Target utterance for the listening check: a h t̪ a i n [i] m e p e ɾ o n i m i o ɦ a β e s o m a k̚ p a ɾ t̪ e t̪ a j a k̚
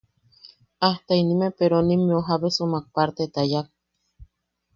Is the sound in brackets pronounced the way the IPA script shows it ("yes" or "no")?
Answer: yes